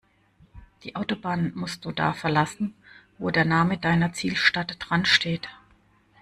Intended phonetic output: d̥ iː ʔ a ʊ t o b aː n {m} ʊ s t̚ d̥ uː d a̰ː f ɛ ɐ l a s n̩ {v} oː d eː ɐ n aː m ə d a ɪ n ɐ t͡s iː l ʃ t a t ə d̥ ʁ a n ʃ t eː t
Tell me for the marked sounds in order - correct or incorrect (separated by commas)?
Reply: correct, correct